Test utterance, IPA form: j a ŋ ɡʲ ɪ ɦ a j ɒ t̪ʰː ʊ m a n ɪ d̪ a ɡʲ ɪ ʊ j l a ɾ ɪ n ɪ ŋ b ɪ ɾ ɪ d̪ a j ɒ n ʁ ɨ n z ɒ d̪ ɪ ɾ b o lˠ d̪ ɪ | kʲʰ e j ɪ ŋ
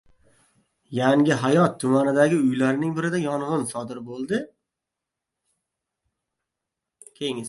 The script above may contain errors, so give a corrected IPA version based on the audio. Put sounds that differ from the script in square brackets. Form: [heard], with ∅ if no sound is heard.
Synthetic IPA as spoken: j a ŋ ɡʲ ɪ ɦ a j ɒ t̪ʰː ʊ m a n ɪ d̪ a ɡʲ ɪ ʊ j l a ɾ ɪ n ɪ ŋ b ɪ ɾ ɪ d̪ a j ɒ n ʁ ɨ n [s] ɒ d̪ ɪ ɾ b o lˠ d̪ ɪ | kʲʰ e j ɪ ŋ